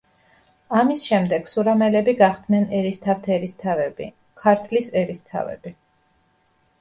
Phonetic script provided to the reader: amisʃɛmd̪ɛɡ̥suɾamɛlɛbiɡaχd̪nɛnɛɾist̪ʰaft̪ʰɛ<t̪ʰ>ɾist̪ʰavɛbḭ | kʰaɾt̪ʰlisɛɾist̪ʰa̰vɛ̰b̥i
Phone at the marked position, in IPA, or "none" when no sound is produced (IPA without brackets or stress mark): none